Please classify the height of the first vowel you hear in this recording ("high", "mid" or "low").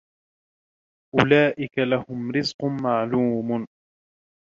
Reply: high